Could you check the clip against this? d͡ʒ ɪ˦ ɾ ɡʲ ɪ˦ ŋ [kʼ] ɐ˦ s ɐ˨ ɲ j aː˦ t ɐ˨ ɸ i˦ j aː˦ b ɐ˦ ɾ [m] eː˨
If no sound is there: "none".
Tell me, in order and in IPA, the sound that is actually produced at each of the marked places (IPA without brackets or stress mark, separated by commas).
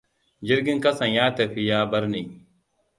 k, n